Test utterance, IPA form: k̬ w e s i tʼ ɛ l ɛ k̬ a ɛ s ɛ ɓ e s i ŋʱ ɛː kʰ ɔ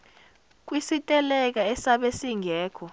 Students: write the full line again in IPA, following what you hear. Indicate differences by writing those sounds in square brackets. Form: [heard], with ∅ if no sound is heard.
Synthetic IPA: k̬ w [i] s i tʼ ɛ l ɛ k̬ a ɛ s [a] ɓ e s i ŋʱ ɛː kʰ ɔ